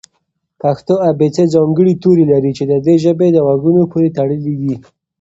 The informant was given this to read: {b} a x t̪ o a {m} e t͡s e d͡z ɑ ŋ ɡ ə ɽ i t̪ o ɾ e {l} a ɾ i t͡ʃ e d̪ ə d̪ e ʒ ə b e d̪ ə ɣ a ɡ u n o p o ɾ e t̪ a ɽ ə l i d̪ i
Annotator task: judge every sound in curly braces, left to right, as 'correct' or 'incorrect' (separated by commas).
incorrect, incorrect, correct